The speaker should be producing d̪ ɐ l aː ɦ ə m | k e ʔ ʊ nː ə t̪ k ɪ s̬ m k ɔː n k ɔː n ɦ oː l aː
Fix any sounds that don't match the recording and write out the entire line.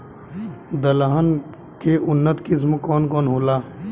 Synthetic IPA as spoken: d̪ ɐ l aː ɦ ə n | k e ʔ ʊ nː ə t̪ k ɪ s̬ m k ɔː n k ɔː n ɦ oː l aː